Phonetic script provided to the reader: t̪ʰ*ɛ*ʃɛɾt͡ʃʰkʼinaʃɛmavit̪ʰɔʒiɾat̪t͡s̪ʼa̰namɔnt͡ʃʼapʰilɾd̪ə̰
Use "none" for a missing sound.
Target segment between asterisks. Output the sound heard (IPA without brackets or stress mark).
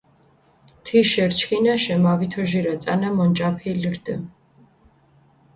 i